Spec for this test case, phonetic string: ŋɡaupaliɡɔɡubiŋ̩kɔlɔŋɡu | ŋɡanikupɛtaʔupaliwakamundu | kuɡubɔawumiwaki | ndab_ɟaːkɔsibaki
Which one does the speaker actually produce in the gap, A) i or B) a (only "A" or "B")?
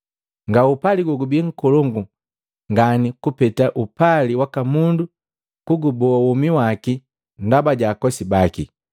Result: B